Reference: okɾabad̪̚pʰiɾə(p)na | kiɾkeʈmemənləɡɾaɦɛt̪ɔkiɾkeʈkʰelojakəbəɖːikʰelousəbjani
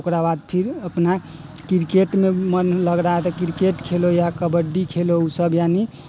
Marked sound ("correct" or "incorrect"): correct